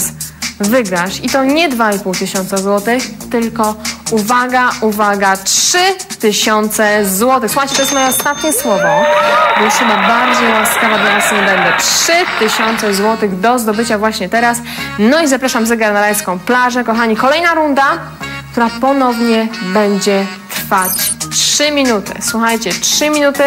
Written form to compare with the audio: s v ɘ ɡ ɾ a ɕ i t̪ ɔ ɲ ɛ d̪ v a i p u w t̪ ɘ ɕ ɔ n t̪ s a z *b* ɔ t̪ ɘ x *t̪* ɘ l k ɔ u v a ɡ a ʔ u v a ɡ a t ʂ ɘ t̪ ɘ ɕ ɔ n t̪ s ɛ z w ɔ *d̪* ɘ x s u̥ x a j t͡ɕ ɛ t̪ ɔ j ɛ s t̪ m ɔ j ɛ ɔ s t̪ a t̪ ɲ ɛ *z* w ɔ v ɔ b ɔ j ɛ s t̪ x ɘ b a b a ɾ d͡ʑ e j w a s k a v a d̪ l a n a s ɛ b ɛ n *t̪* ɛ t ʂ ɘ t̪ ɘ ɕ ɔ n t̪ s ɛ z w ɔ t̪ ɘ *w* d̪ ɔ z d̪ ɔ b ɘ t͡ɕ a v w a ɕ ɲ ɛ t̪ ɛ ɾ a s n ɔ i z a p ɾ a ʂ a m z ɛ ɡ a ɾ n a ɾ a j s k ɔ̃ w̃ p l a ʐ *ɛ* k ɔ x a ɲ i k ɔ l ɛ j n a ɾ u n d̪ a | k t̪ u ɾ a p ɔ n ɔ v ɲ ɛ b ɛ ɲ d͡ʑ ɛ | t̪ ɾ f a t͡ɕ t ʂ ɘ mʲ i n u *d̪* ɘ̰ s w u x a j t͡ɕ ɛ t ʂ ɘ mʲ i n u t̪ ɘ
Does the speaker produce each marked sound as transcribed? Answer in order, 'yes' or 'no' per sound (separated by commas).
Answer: no, yes, no, no, no, no, yes, no